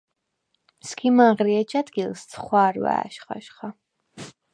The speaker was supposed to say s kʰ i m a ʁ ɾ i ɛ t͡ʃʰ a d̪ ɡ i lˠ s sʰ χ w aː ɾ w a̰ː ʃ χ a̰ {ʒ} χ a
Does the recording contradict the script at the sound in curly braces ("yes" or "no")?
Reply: yes